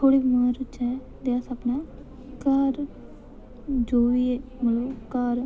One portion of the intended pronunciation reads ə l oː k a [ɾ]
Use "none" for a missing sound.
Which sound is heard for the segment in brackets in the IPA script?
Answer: ɾ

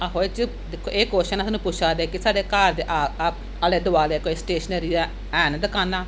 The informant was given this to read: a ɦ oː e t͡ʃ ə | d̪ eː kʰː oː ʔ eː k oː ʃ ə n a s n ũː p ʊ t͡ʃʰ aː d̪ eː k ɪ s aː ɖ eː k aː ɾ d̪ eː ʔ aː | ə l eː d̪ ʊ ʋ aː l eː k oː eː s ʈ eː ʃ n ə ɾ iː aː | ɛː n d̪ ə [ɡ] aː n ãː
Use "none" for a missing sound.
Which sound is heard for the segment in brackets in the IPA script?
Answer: k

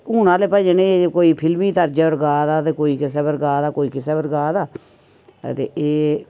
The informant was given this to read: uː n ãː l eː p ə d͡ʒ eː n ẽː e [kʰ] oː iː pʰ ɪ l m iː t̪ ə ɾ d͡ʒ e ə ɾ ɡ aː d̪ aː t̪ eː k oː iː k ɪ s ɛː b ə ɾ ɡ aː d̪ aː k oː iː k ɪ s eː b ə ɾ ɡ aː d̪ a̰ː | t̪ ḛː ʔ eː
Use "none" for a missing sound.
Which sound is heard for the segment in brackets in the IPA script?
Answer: k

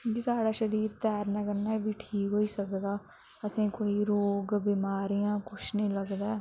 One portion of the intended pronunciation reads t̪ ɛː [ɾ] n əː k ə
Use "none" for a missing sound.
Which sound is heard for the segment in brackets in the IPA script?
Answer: ɾ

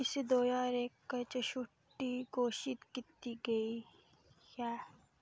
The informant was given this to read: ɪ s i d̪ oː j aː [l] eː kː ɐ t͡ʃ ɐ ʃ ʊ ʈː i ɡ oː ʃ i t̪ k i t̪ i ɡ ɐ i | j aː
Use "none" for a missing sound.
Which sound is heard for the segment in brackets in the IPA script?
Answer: ɾ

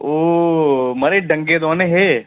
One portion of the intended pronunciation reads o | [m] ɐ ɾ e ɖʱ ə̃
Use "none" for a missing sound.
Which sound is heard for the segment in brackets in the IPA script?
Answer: m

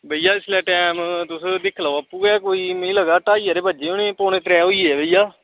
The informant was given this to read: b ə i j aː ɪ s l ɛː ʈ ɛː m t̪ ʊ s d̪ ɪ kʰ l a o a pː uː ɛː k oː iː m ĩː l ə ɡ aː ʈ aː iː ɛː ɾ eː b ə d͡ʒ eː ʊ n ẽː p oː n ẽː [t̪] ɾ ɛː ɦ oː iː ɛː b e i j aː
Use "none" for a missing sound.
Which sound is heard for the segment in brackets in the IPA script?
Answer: t̪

